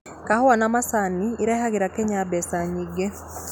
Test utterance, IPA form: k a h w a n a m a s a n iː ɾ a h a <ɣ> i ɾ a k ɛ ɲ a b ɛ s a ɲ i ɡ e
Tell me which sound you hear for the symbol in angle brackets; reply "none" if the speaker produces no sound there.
ɣ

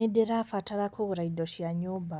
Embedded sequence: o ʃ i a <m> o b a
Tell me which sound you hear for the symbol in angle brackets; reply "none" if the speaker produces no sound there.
ɲ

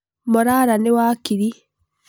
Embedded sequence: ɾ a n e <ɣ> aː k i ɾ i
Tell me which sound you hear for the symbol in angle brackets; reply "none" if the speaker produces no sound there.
w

